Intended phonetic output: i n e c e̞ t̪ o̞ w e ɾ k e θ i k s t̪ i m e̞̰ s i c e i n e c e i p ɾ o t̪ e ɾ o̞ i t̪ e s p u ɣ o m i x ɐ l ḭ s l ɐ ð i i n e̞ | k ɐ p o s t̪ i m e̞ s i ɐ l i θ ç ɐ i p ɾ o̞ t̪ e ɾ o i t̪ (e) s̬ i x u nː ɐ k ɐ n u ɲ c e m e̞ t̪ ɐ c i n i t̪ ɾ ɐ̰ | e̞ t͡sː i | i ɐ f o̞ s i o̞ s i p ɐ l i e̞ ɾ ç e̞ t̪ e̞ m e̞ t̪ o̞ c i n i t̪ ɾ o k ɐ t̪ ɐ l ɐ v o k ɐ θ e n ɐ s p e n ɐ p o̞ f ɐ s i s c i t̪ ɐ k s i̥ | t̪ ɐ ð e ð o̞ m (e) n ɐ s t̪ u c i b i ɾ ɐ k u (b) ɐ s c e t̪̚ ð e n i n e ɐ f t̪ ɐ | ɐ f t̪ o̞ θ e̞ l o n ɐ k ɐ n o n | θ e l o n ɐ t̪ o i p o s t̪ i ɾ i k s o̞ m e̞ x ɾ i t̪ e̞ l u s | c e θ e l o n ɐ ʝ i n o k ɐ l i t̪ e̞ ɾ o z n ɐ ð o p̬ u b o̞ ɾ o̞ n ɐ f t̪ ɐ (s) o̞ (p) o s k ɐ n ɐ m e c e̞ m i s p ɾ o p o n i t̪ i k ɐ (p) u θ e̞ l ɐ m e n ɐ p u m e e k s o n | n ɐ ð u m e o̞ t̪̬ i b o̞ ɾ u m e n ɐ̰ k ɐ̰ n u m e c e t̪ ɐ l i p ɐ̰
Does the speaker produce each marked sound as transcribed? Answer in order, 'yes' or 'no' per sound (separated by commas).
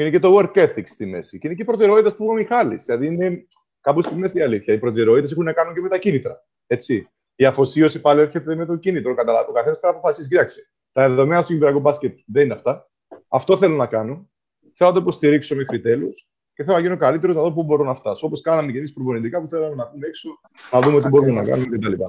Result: yes, yes, yes, yes, yes, yes